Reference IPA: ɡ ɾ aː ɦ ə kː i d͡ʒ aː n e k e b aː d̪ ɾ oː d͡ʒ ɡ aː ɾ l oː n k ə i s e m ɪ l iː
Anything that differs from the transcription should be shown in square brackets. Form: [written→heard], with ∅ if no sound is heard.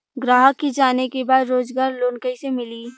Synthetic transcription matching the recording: ɡ ɾ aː ɦ ə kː i d͡ʒ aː n e k e b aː d̪ ɾ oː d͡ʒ ɡ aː ɾ l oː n k ə i s e m ɪ l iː

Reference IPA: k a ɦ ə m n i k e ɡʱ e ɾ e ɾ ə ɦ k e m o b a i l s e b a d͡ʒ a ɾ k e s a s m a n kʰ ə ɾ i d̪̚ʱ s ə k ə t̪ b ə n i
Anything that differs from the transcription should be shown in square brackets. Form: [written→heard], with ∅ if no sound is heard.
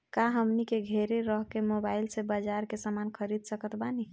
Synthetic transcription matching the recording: k a ɦ ə m n i k e ɡʱ e ɾ e ɾ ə ɦ k e m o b a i l s e b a d͡ʒ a ɾ k e s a [s→∅] m a n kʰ ə ɾ i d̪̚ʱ s ə k ə t̪ b [ə→a] n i

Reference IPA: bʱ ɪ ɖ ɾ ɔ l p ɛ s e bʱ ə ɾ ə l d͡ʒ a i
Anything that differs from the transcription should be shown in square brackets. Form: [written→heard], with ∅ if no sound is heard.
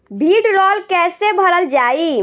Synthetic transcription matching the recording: bʱ [ɪ→i] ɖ ɾ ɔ l [p→k] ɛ s e bʱ ə ɾ ə l d͡ʒ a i

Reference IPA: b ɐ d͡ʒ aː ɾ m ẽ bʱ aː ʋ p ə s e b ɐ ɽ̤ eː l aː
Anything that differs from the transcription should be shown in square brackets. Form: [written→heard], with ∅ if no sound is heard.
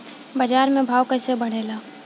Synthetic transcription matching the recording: b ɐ d͡ʒ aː ɾ m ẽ bʱ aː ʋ [p→k] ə s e b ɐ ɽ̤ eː l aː

